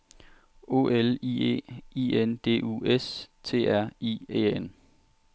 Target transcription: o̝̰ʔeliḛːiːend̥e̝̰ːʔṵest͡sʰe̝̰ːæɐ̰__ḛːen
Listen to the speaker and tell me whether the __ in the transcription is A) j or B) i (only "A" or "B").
B